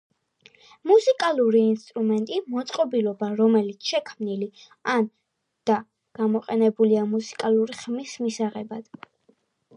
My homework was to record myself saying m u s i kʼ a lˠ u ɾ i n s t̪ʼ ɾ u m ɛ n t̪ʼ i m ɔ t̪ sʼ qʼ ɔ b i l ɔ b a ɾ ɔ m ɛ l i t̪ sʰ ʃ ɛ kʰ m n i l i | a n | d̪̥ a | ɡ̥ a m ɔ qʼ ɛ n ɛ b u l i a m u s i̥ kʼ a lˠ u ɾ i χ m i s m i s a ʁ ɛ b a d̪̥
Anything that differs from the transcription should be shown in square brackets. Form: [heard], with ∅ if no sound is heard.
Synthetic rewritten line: m u s i kʼ a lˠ u ɾ [iː] n s t̪ʼ ɾ u m ɛ n t̪ʼ i m ɔ t̪ sʼ qʼ ɔ b i l ɔ b a ɾ ɔ m ɛ l i t̪ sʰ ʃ ɛ kʰ m n i l i | a n | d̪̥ a | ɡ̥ a m ɔ qʼ ɛ n ɛ b u l i a m u s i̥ kʼ a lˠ u ɾ i χ m i s m i s a ʁ ɛ b a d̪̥